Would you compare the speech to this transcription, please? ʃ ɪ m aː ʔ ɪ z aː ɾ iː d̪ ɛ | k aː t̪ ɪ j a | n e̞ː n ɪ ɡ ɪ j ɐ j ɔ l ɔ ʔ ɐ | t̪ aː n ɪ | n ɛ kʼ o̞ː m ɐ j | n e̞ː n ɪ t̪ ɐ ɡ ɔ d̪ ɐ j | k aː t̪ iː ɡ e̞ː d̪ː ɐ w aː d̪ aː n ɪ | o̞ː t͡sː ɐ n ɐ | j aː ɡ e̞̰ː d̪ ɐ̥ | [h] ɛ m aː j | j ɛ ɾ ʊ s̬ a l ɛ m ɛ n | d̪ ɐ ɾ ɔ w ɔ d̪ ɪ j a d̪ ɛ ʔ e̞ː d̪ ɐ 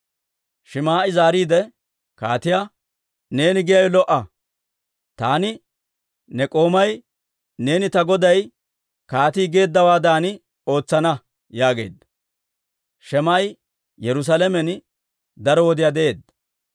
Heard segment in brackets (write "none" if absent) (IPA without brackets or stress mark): ʃ